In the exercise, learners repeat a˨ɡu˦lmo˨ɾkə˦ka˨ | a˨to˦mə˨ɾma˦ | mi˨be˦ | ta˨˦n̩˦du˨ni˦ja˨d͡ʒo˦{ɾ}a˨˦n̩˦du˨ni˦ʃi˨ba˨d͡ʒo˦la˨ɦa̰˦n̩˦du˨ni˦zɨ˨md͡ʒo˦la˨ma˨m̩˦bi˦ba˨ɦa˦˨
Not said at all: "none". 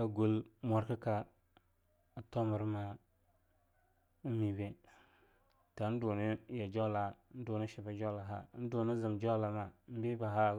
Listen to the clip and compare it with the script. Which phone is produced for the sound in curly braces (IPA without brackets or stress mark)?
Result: l